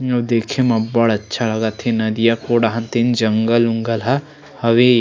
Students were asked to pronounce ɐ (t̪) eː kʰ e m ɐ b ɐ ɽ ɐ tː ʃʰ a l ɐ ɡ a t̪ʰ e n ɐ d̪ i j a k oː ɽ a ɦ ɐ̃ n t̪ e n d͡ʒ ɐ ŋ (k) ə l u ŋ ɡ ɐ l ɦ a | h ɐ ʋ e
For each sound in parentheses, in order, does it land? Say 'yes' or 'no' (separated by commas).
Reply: no, no